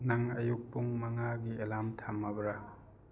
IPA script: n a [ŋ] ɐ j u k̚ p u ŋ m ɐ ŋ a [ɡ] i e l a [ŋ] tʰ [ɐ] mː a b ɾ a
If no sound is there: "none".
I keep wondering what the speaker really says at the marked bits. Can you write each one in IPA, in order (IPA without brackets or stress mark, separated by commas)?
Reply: ŋ, ɡ, m, a